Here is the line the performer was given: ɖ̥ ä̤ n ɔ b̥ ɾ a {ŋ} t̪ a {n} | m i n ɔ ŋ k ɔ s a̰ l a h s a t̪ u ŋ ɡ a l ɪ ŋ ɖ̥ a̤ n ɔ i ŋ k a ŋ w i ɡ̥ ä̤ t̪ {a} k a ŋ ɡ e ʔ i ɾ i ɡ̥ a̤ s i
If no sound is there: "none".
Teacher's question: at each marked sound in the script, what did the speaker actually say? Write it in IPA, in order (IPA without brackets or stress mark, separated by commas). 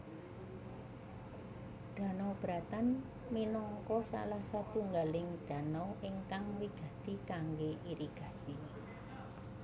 none, n, i